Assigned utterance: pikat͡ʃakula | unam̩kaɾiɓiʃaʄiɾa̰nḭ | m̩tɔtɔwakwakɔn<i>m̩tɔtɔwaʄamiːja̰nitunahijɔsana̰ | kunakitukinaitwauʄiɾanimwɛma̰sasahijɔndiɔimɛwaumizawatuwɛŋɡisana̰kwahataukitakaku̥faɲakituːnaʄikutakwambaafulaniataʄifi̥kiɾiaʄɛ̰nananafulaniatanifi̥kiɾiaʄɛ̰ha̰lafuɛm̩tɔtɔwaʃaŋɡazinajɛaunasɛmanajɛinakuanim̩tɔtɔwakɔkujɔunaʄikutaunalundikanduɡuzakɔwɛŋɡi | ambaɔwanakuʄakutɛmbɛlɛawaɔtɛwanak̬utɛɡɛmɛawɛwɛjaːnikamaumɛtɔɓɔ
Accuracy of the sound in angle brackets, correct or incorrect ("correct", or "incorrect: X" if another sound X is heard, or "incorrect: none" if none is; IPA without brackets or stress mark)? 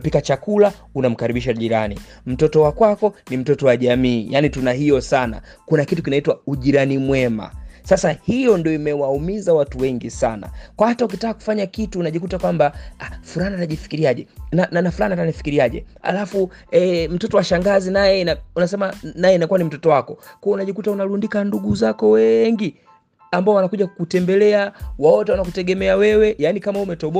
correct